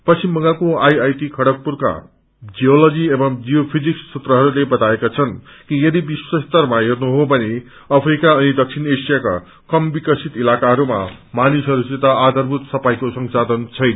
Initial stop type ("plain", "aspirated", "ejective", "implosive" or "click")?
plain